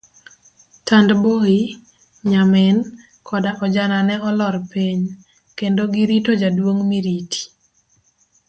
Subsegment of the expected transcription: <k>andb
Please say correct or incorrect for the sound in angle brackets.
incorrect